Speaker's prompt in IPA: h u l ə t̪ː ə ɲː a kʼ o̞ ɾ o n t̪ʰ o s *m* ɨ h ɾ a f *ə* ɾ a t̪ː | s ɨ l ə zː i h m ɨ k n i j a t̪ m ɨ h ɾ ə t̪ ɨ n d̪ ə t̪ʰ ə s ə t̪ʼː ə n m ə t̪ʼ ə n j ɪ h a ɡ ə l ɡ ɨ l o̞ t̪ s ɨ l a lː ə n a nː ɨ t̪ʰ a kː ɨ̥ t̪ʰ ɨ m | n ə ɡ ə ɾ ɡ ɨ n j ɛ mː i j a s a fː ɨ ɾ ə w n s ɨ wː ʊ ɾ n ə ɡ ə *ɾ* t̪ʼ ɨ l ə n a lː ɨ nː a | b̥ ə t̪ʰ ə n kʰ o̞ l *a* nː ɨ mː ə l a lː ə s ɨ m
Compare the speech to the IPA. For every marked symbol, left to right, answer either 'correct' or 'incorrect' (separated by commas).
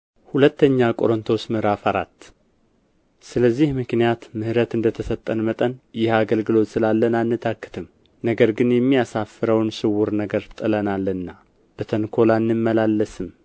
correct, incorrect, correct, correct